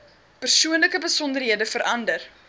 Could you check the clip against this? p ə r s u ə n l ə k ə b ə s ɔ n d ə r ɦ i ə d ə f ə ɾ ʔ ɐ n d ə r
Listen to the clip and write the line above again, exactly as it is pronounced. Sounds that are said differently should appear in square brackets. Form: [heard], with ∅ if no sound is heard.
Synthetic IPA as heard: p ə r s u ə n l ə k ə b ə s ɔ n d ə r ɦ i ə d ə f ə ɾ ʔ ɐ n d ə r